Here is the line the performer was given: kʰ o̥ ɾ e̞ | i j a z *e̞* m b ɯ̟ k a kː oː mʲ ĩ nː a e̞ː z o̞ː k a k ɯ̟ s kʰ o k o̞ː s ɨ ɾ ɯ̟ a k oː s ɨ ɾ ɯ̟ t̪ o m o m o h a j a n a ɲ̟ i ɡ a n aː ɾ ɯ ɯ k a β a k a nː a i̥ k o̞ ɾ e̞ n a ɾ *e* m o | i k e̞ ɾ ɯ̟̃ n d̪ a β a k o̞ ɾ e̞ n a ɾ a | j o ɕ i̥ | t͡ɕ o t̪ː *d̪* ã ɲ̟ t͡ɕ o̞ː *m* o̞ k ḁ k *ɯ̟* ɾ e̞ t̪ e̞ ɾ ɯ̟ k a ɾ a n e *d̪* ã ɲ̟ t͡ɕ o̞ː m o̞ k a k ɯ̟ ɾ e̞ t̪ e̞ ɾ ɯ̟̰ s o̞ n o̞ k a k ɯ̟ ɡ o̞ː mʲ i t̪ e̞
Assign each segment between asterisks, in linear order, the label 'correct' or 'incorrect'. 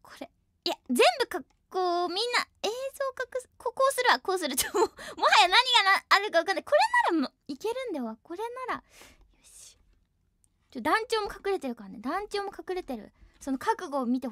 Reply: incorrect, incorrect, correct, correct, correct, correct

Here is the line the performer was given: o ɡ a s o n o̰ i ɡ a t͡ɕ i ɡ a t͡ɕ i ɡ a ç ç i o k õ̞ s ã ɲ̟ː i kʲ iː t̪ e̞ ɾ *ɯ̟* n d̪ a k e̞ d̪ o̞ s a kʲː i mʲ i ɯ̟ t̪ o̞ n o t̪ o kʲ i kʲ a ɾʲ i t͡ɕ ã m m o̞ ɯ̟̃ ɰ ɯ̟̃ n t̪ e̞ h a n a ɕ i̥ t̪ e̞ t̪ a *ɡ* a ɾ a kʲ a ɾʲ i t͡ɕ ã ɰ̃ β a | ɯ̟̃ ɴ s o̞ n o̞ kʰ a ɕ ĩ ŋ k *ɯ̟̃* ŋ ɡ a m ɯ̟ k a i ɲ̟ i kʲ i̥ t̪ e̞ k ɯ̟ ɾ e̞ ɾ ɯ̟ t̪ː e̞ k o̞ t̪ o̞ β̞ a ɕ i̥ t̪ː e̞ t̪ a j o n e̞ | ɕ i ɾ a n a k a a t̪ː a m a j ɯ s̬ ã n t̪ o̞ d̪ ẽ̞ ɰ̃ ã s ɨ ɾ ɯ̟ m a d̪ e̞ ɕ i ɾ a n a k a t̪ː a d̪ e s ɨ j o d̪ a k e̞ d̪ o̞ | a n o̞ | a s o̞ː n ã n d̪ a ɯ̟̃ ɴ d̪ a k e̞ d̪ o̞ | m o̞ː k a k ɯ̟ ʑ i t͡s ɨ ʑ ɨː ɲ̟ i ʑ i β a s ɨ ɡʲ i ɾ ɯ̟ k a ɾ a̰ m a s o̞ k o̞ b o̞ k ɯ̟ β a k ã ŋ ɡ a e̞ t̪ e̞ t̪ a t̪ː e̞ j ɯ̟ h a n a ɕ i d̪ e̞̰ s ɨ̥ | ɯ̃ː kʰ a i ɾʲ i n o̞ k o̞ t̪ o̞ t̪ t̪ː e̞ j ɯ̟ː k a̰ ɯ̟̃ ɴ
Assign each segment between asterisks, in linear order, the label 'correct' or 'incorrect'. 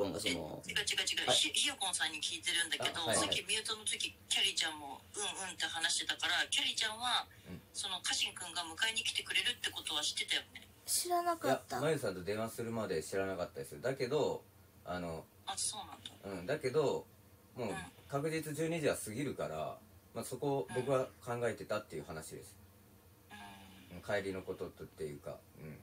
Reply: incorrect, incorrect, correct

